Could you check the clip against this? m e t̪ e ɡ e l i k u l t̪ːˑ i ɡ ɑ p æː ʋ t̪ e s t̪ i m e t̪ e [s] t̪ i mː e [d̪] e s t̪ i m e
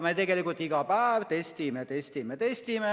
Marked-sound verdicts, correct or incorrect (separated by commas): correct, incorrect